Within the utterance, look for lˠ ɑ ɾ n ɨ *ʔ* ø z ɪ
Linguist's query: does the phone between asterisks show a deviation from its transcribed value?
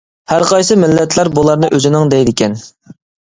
no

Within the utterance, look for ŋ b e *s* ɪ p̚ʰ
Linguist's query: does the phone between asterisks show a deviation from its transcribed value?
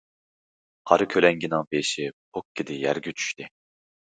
yes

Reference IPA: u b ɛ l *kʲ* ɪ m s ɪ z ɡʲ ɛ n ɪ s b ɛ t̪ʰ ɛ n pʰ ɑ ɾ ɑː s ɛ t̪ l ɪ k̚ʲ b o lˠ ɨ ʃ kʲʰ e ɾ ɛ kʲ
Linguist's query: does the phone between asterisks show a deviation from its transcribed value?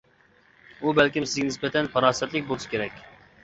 no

